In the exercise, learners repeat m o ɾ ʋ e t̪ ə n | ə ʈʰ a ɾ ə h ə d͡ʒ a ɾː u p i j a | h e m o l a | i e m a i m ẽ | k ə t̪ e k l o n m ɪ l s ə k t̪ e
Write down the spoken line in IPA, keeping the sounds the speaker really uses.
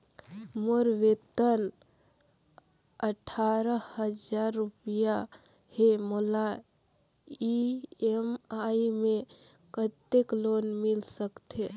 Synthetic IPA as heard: m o ɾ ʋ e t̪ ə n | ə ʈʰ a ɾ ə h ə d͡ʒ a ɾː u p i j a | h e m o l a | i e m a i m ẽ | k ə t̪ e k l o n m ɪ l s ə k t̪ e

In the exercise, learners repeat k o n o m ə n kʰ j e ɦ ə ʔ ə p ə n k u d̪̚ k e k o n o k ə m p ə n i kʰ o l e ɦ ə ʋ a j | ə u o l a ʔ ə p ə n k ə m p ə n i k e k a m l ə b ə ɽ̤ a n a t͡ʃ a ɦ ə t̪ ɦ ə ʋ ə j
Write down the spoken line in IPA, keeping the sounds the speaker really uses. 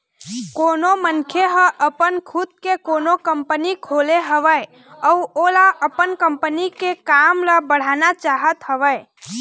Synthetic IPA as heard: k o n o m ə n kʰ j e ɦ ə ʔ ə p ə n kʰ u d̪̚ k e k o n o k ə m p ə n i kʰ o l e ɦ ə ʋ ə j | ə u o l a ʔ ə p ə n k ə m p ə n i k e k a m l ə b ə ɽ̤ a n a t͡ʃ a ɦ ə t̪ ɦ ə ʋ ə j

